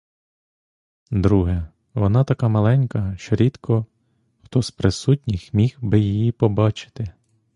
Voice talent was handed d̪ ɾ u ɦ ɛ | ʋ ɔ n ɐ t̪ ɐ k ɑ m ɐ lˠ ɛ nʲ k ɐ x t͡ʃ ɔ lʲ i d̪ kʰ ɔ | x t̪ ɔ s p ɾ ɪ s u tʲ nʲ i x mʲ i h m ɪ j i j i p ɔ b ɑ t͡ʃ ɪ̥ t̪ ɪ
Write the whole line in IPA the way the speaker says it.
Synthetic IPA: d̪ ɾ u ɦ ɛ | ʋ ɔ n ɑ t̪ ɐ k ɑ m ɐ lˠ ɛ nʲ k ɐ ʃ t͡ʃ ɔ ɾʲ i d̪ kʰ ɔ | x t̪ ɔ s p ɾ ɪ s u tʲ nʲ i x mʲ i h b ɪ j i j i p ɔ b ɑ t͡ʃ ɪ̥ t̪ ɪ